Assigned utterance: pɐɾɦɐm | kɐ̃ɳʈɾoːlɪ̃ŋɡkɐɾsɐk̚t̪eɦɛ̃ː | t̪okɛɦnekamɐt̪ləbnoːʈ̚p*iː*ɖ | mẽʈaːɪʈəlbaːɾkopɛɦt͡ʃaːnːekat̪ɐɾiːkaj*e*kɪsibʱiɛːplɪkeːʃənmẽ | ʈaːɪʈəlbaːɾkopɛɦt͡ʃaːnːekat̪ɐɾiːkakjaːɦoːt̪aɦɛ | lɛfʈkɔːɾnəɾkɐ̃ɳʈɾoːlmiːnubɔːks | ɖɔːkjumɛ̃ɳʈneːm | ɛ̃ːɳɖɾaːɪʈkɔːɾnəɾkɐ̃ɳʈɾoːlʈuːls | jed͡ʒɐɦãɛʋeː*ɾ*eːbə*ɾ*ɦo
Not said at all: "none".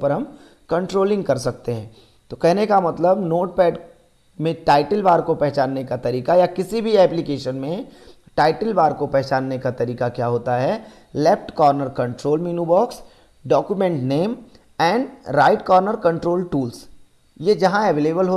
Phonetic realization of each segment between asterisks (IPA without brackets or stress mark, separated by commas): ɛː, a, l, l